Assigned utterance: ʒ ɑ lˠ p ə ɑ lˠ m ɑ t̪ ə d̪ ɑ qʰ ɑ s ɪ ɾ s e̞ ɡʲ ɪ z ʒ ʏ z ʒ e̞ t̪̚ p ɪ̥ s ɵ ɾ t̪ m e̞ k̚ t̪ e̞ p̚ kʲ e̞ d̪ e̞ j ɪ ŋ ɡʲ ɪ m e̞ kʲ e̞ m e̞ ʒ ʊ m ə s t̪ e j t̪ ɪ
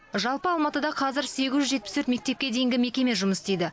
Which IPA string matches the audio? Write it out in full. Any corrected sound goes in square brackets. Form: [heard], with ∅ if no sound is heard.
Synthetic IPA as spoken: ʒ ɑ lˠ p ə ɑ lˠ m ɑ t̪ ə d̪ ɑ qʰ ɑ [z] ɪ ɾ s e̞ ɡʲ ɪ z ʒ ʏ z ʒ e̞ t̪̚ p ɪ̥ s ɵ ɾ t̪ m e̞ k̚ t̪ e̞ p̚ kʲ e̞ d̪ e̞ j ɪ ŋ ɡʲ ɪ m e̞ kʲ e̞ m e̞ ʒ ʊ m ə s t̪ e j [d̪] ɪ